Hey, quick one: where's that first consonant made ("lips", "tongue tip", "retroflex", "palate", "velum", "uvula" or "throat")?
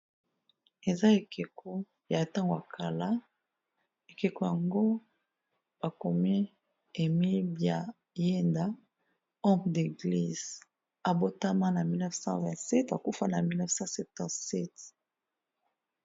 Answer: tongue tip